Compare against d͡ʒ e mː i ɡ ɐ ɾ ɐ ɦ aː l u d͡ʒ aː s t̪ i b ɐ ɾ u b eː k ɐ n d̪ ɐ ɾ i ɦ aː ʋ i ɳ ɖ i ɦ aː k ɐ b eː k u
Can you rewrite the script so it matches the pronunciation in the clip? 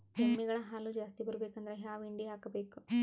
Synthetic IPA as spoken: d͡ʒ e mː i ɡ ɐ ɭ ɐ ɦ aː l u d͡ʒ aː s t̪ i b ɐ ɾ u b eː k ɐ n d̪ ɐ ɾ e ɦ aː ʋ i ɳ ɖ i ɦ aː k ɐ b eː k u

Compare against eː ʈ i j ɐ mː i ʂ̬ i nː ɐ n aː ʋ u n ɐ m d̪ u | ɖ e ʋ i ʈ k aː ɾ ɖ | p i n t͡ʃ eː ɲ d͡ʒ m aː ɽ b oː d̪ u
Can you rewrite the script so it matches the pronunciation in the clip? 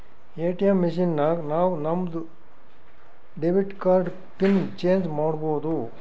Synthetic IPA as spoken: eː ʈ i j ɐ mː i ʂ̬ i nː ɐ n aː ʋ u n ɐ m d̪ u | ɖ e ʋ i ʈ k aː ɾ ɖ | p i n t͡ʃ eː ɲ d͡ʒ m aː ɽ b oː d̪ u

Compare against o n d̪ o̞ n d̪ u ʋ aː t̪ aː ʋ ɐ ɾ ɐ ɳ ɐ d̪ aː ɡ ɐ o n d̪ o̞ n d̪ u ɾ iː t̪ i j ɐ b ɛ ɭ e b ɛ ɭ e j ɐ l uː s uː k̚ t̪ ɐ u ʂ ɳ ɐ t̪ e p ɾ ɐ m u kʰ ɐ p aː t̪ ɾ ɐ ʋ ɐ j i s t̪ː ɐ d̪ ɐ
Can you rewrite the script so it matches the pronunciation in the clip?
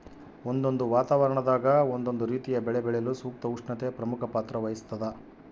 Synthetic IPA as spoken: o n d̪ o̞ n d̪ u ʋ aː t̪ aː ʋ ɐ ɾ ɐ ɳ ɐ d̪ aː ɡ ɐ o n d̪ o̞ n d̪ u ɾ iː t̪ i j ɐ b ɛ ɭ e b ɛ ɭ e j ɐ l u s uː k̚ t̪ ɐ u ʂ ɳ ɐ t̪ e p ɾ ɐ m u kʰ ɐ p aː t̪ ɾ ɐ ʋ ɐ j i s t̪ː ɐ d̪ ɐ

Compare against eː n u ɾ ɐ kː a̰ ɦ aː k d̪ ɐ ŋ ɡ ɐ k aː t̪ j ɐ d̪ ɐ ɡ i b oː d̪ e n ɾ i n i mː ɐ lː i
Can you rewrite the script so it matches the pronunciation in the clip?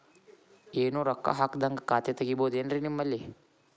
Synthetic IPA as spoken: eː n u ɾ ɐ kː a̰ ɦ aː k d̪ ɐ ŋ ɡ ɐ k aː t̪ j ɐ t̪ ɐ ɡ i b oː d̪ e n ɾ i n i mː ɐ lː i

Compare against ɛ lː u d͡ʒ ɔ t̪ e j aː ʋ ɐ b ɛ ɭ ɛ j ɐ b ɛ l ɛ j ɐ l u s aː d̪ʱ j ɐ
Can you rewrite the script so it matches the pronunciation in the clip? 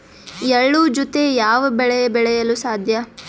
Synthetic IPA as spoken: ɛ ɭː u d͡ʒ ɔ t̪ e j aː ʋ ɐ b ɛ ɭ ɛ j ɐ b ɛ ɭ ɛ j ɐ l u s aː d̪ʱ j ɐ

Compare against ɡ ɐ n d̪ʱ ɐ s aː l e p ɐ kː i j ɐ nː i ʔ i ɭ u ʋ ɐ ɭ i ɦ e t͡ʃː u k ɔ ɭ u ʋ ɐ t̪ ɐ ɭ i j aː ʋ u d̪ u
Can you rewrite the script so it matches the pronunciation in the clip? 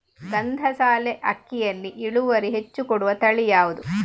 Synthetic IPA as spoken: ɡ ɐ n d̪ʱ ɐ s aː l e ʔ ɐ kː i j ɐ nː i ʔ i ɭ u ʋ ɐ ɾ i ɦ e t͡ʃː u k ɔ ɽ u ʋ ɐ t̪ ɐ ɭ i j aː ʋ u d̪ u

